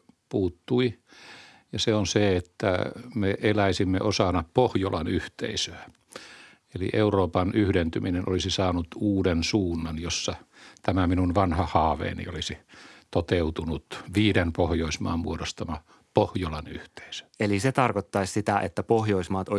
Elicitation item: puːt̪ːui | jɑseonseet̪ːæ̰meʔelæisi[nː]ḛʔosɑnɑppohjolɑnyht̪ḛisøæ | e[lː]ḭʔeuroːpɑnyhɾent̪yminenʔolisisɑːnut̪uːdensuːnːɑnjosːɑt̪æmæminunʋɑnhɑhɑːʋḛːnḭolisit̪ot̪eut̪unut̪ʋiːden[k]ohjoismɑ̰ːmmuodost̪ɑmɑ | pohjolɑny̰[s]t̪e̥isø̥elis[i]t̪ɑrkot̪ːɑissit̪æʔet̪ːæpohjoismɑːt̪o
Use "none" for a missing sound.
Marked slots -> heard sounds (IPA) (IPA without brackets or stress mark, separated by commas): mː, l, p, h, e